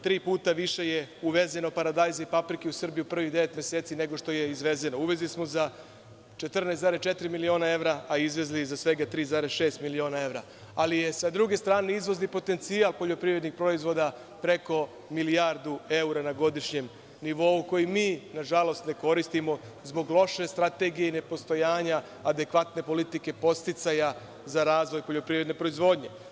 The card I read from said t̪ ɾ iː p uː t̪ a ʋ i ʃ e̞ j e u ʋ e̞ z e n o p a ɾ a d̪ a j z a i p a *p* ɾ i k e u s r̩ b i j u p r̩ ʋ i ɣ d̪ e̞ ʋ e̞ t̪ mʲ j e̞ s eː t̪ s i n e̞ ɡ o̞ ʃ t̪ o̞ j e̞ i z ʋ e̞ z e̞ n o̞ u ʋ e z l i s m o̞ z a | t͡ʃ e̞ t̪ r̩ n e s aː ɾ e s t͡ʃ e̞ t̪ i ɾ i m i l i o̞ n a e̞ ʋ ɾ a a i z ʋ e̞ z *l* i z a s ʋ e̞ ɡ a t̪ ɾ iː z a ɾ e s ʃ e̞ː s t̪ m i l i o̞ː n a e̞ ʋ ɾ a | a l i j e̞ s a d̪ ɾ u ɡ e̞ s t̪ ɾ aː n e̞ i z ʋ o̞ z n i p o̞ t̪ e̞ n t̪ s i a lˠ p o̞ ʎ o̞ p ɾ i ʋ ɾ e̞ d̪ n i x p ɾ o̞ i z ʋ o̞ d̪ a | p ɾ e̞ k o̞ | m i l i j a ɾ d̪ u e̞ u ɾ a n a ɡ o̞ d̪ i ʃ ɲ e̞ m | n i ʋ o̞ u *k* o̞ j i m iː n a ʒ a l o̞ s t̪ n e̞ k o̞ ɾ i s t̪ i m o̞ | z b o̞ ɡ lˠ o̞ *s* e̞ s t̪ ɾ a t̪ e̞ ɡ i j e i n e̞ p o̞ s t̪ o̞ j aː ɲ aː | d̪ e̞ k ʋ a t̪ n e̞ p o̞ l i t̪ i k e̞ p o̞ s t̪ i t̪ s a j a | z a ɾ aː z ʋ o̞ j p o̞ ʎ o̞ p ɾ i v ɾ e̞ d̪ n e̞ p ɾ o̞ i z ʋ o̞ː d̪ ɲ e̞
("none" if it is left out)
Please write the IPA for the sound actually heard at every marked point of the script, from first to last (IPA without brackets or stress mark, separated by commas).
p, l, k, ʃ